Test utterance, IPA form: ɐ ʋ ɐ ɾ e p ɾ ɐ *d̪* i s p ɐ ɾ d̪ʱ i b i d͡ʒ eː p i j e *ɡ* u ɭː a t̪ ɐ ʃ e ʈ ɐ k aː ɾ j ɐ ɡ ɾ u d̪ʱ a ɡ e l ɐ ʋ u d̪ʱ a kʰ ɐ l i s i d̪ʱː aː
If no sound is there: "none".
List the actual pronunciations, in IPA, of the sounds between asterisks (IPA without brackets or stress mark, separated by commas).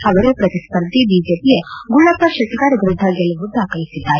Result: t̪, ɡ